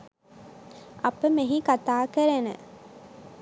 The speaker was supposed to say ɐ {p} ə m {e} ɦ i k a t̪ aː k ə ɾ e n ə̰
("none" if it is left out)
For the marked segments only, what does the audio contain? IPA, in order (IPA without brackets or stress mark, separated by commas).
p, e